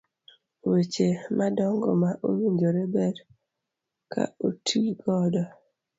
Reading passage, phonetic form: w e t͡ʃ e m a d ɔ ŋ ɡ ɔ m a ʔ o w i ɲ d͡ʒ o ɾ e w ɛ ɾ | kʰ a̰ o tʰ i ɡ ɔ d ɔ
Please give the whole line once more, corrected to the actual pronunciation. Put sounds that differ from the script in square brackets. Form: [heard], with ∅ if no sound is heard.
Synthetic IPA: w e t͡ʃ e m a d ɔ ŋ ɡ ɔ m a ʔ o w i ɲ d͡ʒ o ɾ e [b] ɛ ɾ | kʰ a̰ o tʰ i ɡ ɔ d ɔ